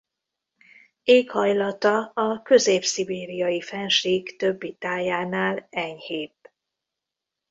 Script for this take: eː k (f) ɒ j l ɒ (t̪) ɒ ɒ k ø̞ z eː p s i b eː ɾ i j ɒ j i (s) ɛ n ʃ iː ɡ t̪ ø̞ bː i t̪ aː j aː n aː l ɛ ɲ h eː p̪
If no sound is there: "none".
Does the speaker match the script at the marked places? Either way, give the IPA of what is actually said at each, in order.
h, t̪, f

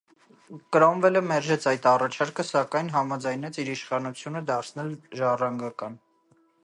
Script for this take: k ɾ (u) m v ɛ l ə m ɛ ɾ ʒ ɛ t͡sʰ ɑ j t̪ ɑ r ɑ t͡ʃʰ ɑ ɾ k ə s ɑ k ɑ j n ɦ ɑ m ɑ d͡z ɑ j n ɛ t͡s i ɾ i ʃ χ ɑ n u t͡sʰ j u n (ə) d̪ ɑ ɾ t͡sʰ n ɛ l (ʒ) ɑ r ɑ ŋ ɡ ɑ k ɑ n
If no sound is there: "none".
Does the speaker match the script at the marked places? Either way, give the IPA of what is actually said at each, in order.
ɔ, ə, ʒ

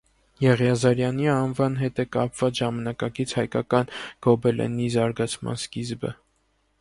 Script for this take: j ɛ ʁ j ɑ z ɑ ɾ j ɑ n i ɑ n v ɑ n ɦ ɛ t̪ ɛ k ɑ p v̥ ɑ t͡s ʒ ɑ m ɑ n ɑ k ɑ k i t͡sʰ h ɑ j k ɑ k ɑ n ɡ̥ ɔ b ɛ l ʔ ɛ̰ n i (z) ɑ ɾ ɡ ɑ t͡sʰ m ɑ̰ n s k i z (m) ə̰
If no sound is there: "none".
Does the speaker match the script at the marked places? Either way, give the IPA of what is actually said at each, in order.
z, b

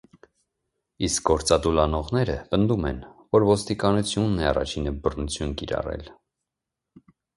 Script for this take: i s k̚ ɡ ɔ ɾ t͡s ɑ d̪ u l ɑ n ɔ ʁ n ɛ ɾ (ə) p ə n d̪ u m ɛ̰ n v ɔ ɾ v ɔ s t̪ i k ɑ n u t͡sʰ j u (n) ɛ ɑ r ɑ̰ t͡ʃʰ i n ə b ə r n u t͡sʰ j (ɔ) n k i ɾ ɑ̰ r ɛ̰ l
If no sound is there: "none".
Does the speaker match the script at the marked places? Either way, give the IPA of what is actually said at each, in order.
ə, nː, u

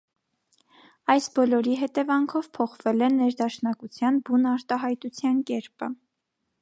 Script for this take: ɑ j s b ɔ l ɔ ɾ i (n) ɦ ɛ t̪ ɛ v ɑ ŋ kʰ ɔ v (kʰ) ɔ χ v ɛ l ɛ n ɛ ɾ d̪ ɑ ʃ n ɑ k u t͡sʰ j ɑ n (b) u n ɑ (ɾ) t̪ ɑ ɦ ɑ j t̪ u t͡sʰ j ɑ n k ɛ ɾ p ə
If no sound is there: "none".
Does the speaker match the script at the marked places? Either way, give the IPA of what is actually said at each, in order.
none, pʰ, b, ɾ

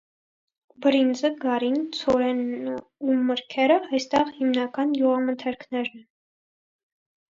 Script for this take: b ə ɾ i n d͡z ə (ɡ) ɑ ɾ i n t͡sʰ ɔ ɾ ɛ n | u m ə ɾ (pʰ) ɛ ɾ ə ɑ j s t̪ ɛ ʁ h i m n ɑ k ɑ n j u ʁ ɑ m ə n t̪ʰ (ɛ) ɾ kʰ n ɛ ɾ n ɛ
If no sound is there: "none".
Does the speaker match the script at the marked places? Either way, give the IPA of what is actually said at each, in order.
ɡ, kʰ, ɛ

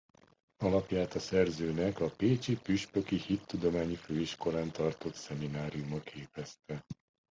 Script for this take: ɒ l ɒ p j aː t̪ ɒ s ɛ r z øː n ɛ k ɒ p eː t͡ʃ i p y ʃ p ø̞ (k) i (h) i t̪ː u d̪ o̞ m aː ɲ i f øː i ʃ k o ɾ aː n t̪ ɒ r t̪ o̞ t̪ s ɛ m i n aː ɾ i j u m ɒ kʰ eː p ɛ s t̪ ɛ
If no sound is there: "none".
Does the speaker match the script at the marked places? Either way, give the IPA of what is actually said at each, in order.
k, h

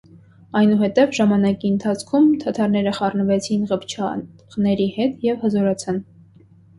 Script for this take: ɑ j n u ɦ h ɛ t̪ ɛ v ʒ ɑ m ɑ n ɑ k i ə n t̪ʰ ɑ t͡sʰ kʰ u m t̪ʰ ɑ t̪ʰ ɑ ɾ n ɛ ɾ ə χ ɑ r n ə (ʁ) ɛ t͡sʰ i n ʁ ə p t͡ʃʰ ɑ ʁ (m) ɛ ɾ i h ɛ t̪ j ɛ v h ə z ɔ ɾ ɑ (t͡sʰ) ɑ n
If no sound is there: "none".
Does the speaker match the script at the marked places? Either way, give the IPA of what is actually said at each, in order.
v, n, t͡sʰ

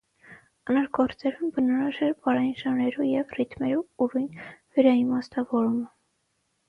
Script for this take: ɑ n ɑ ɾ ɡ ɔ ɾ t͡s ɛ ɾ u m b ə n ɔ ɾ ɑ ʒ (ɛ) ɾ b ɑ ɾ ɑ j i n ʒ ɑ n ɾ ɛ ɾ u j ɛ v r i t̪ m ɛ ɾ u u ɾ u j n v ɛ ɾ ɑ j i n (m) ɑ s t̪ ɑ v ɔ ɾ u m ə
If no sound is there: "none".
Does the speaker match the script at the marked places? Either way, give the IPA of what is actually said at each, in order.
ɛ, m

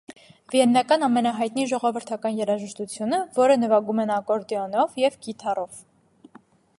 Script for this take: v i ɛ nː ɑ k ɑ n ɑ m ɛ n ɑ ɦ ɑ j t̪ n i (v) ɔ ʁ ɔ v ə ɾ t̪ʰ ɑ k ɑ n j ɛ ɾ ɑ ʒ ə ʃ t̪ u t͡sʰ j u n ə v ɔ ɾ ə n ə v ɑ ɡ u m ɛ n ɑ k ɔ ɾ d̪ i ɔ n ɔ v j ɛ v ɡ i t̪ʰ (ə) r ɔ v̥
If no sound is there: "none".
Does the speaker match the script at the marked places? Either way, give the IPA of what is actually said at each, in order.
ʒ, ɑ

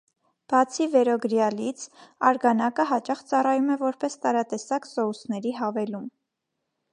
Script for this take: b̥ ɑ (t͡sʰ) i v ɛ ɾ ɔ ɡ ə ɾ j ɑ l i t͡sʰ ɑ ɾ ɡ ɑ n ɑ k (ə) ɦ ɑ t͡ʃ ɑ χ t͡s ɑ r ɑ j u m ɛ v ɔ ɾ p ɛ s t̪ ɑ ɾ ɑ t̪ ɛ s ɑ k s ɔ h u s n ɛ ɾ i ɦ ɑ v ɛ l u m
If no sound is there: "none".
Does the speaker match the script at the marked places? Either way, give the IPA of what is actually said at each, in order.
t͡sʰ, ə

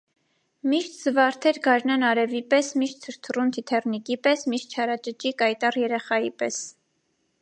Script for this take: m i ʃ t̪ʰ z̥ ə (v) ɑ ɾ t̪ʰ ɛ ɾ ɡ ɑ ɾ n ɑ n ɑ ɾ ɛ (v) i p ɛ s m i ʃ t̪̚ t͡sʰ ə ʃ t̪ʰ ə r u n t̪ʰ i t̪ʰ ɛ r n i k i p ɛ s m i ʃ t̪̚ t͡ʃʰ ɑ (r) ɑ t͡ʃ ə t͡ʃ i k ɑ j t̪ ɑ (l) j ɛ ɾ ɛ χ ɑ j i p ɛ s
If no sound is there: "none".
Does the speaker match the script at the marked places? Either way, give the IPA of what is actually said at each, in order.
v, v, ɾ, r

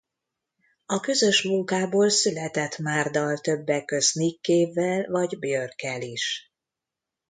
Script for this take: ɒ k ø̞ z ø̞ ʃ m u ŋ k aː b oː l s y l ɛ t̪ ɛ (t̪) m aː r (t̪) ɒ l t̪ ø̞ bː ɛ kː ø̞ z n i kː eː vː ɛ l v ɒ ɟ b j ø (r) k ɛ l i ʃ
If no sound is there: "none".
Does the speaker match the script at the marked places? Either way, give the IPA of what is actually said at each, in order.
t̪, d̪, r

